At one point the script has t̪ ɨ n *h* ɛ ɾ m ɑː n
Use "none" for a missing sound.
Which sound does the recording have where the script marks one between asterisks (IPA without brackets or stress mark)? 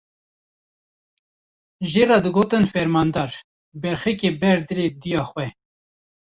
f